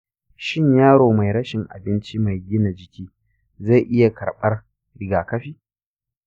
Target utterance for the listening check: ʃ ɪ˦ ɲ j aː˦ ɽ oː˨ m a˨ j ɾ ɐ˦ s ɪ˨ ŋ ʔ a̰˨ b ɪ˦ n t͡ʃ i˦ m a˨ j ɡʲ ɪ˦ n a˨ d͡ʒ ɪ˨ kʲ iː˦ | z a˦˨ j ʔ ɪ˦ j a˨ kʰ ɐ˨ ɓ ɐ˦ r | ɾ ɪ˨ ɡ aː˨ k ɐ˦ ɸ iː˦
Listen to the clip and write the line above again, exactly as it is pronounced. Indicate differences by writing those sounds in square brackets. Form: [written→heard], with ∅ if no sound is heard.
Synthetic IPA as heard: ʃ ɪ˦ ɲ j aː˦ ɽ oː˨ m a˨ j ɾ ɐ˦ [s→ʃ] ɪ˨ ŋ ʔ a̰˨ b ɪ˦ n t͡ʃ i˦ m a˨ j ɡʲ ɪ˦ n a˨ d͡ʒ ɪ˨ kʲ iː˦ | z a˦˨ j ʔ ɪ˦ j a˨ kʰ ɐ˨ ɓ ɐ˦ r | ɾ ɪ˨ ɡ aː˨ k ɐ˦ ɸ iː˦